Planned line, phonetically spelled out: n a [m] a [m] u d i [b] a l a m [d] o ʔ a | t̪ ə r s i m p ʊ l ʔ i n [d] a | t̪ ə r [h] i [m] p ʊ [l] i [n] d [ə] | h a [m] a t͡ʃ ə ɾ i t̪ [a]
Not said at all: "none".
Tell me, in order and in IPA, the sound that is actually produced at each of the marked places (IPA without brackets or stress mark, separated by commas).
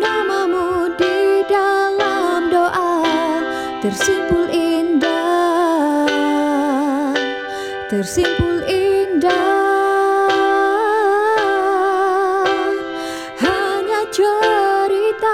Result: m, m, d, d, d, s, m, l, n, a, ɲ, a